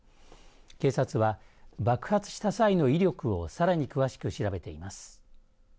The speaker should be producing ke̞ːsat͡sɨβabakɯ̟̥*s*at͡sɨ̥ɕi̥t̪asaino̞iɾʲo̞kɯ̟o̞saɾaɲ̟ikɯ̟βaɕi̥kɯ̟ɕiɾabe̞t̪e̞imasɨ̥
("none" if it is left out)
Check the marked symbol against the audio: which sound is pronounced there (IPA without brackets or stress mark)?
h